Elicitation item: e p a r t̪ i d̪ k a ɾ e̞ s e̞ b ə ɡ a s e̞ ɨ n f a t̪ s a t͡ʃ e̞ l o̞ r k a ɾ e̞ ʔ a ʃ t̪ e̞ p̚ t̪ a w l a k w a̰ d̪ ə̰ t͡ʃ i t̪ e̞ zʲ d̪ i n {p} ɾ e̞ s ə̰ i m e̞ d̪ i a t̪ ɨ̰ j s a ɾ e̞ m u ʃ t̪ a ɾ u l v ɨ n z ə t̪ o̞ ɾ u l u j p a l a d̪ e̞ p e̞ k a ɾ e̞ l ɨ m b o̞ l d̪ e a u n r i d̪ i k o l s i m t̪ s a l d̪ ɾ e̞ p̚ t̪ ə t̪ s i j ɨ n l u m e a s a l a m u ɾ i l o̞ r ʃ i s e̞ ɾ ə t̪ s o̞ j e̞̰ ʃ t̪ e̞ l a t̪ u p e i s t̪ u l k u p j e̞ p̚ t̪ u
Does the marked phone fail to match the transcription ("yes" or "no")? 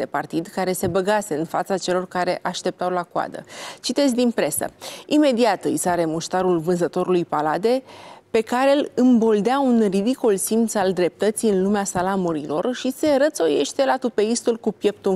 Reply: no